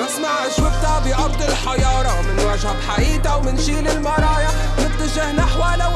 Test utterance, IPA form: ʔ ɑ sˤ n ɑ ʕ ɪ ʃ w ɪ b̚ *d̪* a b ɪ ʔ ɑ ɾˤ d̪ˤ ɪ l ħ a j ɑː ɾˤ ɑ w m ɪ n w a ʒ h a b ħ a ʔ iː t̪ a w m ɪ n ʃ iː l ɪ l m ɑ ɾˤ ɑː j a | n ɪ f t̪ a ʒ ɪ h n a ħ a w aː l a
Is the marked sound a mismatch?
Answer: yes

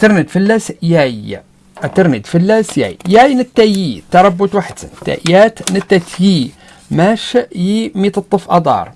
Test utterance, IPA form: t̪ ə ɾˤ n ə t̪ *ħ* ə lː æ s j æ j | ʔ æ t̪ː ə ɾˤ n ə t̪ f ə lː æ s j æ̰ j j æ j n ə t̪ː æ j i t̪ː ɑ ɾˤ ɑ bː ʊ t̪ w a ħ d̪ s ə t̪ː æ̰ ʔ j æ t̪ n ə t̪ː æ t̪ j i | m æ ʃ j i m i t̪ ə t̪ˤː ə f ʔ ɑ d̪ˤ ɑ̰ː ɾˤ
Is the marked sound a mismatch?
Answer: yes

